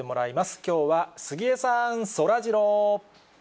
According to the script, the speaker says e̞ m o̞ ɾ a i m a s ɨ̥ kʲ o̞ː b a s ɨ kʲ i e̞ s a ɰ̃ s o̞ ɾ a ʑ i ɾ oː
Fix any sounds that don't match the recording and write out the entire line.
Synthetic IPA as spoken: e̞ m o̞ ɾ a i m a s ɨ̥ kʲ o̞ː β a s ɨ ɡʲ i e̞ s a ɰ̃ s o̞ ɾ a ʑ i ɾ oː